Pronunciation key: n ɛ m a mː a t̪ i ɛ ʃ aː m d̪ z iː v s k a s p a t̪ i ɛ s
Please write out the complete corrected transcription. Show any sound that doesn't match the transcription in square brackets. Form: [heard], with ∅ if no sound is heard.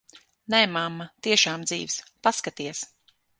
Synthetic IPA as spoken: n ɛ m a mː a t̪ i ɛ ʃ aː m d̪ z iː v s [p] a s [k] a t̪ i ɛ s